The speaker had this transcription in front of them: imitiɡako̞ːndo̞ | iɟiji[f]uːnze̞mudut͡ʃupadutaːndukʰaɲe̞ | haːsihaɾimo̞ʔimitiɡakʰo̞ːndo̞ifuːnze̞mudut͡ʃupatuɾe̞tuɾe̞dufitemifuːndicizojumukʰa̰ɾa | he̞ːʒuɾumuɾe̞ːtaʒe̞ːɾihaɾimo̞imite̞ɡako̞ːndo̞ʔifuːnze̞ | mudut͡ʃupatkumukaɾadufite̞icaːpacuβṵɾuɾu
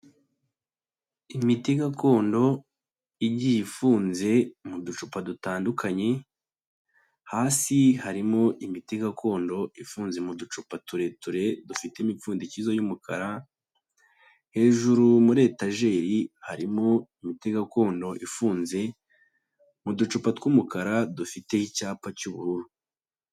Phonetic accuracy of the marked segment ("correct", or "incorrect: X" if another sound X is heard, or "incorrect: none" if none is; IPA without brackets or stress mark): correct